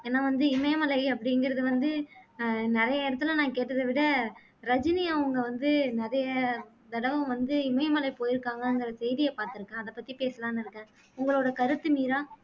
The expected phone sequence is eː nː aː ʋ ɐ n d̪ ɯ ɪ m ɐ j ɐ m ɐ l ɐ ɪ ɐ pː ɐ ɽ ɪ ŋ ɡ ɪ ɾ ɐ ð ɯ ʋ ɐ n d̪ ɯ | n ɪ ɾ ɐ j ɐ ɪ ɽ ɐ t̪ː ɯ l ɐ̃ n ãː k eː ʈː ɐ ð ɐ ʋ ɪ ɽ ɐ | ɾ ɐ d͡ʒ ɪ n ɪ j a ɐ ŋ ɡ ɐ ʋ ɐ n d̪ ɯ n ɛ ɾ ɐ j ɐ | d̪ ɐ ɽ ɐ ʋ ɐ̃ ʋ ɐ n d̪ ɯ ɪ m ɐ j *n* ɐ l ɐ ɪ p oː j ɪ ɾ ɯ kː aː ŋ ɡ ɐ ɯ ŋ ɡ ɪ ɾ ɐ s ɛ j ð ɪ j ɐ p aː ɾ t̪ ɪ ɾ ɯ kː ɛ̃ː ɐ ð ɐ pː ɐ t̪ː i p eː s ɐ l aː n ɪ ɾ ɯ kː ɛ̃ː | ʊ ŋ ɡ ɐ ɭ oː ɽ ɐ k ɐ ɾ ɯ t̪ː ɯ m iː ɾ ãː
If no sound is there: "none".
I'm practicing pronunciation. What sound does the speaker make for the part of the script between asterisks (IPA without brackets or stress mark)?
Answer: m